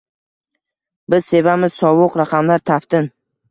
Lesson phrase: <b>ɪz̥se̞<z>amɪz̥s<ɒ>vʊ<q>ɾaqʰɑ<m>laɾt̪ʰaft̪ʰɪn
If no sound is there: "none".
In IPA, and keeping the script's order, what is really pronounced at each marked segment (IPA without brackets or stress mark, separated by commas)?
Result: b, v, ɒ, q, m